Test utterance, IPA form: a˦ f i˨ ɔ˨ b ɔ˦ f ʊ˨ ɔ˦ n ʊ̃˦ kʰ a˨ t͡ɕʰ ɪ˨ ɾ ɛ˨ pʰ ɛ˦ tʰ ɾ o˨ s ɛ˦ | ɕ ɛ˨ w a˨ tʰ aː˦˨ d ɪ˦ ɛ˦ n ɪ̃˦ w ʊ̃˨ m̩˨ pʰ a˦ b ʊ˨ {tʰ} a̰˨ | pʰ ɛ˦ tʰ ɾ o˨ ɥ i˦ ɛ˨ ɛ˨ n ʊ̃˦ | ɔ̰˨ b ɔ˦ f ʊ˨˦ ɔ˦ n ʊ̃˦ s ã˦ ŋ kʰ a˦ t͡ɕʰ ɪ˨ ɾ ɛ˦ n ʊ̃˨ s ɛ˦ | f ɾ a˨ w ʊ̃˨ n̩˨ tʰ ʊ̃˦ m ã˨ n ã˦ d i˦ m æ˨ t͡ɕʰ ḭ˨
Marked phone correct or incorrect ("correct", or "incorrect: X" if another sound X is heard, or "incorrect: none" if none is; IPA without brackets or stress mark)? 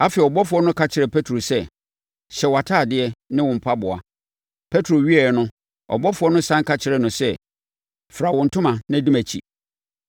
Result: incorrect: none